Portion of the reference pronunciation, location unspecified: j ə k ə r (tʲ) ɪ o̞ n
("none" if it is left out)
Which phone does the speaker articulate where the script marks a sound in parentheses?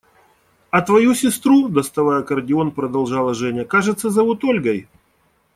dʲ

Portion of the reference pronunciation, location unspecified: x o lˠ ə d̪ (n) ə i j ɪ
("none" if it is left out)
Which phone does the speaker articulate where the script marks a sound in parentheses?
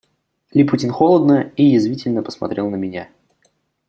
n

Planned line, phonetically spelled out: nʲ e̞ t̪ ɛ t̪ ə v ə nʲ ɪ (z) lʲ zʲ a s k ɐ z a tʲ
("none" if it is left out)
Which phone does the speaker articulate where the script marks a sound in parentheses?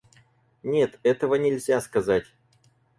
none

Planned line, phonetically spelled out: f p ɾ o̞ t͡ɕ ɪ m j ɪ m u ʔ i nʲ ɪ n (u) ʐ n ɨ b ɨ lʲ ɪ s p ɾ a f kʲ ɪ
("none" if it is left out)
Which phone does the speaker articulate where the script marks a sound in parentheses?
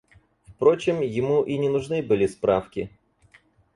ʊ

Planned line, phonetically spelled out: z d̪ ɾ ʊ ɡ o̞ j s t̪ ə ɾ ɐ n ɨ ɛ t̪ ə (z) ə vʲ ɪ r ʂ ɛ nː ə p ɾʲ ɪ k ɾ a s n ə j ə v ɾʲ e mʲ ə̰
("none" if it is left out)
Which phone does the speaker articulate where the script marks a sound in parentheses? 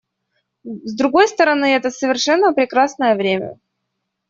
s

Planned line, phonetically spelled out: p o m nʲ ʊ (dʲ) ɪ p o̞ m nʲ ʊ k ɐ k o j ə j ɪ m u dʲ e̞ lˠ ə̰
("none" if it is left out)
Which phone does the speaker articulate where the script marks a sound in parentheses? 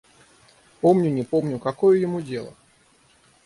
nʲ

